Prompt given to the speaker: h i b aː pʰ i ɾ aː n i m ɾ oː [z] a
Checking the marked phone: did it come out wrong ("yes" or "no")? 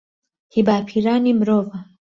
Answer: yes